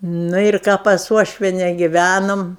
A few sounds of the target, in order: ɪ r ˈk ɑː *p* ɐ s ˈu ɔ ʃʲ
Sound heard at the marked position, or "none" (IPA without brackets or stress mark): p